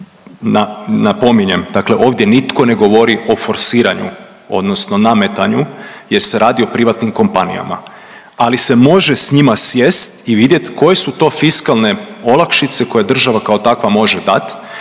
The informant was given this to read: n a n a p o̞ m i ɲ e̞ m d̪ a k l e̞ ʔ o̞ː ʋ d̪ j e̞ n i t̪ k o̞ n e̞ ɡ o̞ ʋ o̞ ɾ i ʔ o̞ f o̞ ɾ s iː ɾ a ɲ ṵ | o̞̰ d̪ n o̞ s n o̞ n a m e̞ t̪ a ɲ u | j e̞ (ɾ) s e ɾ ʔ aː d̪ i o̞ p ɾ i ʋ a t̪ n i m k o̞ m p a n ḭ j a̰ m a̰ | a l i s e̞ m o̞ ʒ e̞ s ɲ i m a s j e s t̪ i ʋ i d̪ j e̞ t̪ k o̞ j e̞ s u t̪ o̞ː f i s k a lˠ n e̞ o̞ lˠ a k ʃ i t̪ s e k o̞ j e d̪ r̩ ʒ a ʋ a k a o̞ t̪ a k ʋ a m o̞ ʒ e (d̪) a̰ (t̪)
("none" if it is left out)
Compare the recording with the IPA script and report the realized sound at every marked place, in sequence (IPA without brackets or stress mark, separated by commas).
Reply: ɾ, d̪, t̪